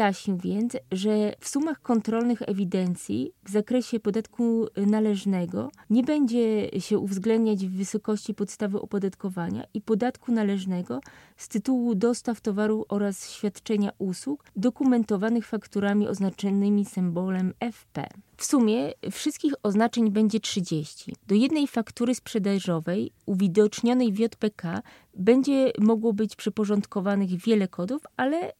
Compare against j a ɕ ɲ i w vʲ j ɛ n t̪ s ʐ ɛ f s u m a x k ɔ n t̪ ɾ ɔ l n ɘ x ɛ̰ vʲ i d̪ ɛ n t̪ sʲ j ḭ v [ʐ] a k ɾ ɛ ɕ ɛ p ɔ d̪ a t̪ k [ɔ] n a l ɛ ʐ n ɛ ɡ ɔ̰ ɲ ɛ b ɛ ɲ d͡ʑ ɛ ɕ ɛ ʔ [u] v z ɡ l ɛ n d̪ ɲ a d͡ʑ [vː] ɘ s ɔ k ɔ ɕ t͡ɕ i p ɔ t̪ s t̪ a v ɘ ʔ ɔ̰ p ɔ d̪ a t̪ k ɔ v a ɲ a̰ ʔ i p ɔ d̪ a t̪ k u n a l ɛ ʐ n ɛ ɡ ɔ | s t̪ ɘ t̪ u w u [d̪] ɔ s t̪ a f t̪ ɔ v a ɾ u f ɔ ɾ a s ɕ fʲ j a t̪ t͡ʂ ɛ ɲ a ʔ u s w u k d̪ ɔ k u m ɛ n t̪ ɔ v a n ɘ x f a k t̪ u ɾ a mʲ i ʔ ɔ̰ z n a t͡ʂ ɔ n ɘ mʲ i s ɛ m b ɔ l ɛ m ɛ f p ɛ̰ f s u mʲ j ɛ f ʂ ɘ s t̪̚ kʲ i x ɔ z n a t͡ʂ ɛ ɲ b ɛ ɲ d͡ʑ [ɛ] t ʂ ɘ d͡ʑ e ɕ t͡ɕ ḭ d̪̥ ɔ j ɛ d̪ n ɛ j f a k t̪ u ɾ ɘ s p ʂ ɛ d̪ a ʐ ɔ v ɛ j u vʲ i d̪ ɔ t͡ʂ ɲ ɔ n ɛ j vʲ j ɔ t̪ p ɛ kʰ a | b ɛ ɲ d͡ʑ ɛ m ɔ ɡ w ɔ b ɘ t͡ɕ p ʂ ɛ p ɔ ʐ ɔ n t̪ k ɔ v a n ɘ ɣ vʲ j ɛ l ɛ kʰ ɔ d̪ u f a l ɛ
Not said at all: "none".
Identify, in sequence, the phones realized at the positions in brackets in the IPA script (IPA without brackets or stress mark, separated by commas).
z, u, u, vː, d̪, ɛ